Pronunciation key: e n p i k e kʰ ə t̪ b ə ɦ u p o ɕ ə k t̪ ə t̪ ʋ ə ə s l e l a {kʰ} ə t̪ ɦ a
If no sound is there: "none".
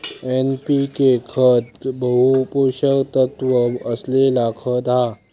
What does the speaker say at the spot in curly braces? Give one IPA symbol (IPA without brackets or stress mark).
kʰ